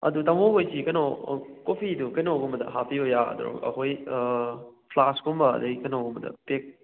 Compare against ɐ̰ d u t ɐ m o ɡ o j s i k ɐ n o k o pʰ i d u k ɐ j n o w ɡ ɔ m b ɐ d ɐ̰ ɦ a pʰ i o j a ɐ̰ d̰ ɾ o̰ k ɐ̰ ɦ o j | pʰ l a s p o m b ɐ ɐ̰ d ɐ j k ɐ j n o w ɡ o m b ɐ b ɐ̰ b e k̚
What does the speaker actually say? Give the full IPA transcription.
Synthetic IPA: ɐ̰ d u t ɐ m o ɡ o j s i k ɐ n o k o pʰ i d u k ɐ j n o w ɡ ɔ m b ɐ d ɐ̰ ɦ a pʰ i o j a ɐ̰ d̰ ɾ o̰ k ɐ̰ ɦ o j | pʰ l a s k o m b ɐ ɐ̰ d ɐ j k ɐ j n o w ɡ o m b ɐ d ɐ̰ p e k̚